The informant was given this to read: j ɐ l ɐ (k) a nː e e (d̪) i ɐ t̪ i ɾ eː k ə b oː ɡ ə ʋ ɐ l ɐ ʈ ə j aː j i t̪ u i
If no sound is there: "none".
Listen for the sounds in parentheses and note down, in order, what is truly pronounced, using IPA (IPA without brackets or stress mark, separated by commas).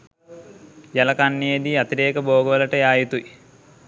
k, d̪